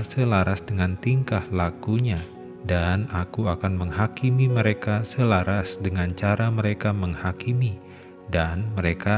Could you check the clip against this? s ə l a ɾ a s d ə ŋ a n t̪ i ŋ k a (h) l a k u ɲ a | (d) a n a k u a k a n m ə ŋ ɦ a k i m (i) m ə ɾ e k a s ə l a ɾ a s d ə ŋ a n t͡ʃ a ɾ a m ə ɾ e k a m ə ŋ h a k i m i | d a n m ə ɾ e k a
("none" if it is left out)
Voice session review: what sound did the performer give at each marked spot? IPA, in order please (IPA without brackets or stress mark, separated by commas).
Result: h, d, i